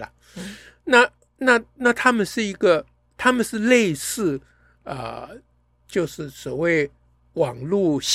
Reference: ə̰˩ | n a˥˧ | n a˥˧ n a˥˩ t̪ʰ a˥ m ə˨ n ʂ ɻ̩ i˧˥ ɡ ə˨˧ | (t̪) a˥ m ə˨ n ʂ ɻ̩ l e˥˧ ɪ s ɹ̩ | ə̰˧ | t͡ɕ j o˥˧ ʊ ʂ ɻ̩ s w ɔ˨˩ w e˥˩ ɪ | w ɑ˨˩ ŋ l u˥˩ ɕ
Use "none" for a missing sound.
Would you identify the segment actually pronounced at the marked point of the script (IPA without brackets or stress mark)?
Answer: t̪ʰ